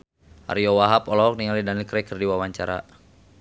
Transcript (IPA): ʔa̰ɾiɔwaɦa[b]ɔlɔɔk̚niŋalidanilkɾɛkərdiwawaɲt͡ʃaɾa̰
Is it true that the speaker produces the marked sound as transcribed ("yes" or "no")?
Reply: no